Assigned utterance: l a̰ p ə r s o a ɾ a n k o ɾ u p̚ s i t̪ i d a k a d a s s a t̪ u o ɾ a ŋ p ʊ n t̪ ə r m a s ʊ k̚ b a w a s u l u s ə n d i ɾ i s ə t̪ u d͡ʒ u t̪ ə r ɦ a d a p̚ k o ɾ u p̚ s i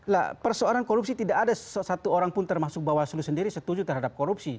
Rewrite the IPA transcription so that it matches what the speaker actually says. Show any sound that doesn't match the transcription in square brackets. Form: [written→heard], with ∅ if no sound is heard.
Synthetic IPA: l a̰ p ə r s o a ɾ a n k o ɾ u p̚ s i t̪ i d a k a d a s s a t̪ u o ɾ a ŋ p ʊ n t̪ ə r m a s ʊ k̚ b a w a s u l u s ə n d i ɾ i s ə t̪ u d͡ʒ u t̪ ə r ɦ a d a p̚ k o ɾ u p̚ s i